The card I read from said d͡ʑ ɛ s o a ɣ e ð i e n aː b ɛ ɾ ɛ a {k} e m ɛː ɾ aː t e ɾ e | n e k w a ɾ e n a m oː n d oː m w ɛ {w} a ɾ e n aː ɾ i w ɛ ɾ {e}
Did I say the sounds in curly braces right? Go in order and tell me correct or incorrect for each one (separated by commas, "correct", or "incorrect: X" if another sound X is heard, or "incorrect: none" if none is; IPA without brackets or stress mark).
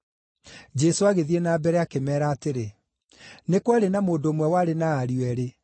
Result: correct, correct, correct